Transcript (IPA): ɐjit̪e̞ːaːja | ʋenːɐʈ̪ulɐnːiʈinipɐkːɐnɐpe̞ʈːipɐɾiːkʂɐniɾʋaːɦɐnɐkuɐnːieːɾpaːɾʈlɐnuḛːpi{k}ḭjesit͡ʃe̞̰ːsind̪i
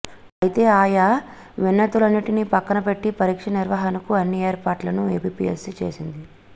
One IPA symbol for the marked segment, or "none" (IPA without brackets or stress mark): p